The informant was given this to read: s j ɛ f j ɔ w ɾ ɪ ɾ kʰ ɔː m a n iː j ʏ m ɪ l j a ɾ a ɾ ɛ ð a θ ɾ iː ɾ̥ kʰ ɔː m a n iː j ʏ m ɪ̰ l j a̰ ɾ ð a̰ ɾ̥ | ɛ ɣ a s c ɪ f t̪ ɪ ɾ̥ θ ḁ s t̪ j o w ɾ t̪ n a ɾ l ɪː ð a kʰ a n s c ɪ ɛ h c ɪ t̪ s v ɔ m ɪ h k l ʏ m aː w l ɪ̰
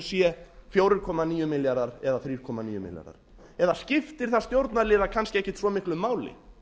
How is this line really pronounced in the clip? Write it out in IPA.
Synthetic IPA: s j ɛ f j o w ɾ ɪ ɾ kʰ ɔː m a n iː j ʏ m ɪ l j a ɾ a ɾ ɛ ð a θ ɾ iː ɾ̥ kʰ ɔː m a n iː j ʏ m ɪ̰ l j a̰ ɾ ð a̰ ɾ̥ | ɛ ð a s c ɪ f t̪ ɪ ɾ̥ θ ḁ s t̪ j o w ɾ t̪ n a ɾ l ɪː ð a kʰ a n s c ɪ ɛ h c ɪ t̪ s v ɔ m ɪ h k l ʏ m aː w l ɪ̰